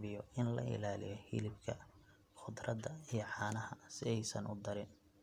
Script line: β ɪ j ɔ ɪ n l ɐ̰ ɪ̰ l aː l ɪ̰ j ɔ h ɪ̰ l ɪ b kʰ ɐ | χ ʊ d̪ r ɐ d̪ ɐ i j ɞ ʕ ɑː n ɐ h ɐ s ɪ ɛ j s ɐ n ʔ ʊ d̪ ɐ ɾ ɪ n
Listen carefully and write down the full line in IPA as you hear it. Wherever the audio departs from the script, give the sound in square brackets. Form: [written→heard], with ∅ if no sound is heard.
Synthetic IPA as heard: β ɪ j ɔ ɪ n l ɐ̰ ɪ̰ l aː l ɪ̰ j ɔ h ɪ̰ l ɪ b kʰ ɐ | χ ʊ d̪ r ɐ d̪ ɐ i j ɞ ʕ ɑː n ɐ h ɐ s ɪ ɛ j s ɐ n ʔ ʊ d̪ ɐ ɾ ɪ n